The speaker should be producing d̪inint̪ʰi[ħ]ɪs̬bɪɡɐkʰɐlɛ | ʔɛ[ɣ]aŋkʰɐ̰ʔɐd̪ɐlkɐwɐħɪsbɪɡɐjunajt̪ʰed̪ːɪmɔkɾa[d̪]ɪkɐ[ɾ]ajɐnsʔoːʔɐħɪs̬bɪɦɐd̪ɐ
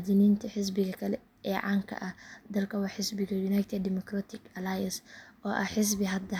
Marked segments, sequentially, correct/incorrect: correct, incorrect, incorrect, incorrect

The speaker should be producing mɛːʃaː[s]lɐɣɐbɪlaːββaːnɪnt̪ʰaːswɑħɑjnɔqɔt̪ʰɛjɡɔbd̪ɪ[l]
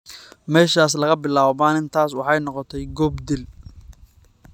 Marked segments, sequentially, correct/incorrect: correct, correct

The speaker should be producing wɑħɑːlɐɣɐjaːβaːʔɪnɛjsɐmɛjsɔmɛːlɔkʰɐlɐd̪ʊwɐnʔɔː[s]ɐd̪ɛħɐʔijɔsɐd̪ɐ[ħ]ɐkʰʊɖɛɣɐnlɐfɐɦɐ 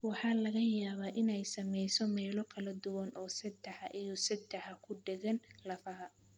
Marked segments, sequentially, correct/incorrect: correct, correct

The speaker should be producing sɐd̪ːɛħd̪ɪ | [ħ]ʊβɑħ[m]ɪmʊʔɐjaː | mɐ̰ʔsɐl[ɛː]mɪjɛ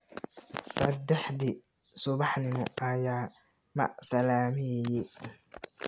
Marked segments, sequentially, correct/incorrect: incorrect, incorrect, incorrect

